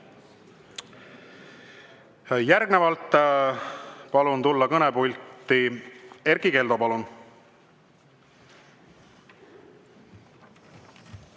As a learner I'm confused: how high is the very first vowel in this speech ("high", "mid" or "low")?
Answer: low